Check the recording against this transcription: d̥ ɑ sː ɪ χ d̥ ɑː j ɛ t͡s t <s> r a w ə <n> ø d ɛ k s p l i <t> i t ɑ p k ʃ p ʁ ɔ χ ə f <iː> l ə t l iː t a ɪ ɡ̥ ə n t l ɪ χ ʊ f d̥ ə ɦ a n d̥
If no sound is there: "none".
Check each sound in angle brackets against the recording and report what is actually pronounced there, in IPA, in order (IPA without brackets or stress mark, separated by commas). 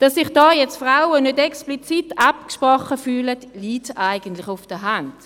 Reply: f, n, t͡s, yː